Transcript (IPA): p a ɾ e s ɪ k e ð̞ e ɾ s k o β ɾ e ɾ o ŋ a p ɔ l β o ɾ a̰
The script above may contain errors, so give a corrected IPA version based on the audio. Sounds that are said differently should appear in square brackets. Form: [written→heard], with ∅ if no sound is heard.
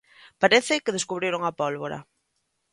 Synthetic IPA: p a ɾ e [s→θ] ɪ k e ð̞ e [ɾ→∅] s k [o→u] β ɾ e ɾ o ŋ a p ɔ l β o ɾ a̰